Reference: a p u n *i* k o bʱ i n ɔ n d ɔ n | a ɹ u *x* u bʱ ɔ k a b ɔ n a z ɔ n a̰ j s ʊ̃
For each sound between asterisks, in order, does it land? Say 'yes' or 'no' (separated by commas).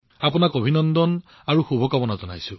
no, yes